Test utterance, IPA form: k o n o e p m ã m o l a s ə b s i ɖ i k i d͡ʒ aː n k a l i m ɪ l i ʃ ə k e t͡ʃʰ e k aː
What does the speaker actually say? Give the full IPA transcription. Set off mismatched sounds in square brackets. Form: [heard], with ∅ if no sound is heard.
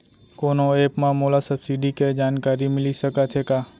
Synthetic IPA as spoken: k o n o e p m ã m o l a s ə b s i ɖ i k [e] d͡ʒ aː n k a [ɾ] i m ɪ l i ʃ ə k [a] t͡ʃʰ e k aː